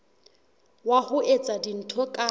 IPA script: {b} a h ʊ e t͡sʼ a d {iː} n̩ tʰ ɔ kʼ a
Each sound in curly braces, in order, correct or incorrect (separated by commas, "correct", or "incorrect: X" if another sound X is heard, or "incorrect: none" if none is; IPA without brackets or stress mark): incorrect: w, incorrect: i